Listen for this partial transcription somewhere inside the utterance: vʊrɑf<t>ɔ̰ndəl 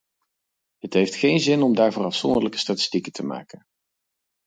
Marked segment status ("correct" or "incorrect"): incorrect